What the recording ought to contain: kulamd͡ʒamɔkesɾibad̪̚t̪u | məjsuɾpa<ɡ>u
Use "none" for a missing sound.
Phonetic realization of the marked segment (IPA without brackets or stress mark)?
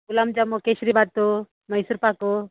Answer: k